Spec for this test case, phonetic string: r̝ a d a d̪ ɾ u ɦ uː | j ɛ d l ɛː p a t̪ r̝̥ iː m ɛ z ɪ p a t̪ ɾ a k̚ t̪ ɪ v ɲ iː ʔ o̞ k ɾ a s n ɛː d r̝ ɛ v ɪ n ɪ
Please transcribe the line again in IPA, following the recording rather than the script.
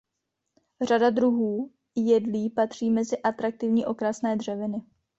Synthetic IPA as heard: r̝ a d a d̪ ɾ u ɦ uː | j ɛ d l iː p a t̪ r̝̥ iː m ɛ z ɪ ʔ a t̪ ɾ a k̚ t̪ ɪ v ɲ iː ʔ o̞ k ɾ a s n ɛː d r̝ ɛ v ɪ n ɪ